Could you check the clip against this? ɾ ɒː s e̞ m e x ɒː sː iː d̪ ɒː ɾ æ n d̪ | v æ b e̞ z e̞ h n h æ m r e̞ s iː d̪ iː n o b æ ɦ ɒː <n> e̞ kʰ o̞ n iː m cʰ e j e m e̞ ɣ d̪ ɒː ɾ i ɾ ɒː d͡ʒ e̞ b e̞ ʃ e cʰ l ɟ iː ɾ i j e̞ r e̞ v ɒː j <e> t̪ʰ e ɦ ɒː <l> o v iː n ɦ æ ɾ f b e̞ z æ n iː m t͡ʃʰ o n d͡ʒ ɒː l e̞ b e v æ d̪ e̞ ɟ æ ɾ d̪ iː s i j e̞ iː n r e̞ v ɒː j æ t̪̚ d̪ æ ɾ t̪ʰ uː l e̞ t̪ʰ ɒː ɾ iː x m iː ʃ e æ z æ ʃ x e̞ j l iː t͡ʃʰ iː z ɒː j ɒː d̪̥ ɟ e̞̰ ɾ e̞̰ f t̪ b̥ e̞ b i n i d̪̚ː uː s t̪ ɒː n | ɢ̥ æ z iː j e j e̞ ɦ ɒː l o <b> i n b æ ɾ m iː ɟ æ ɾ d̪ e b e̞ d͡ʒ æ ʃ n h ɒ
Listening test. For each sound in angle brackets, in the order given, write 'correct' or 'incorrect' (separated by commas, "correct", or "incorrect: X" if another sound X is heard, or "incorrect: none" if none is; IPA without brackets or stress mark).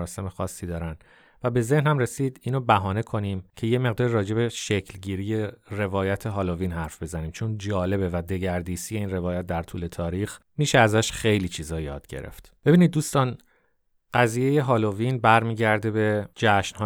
correct, incorrect: æ, correct, incorrect: v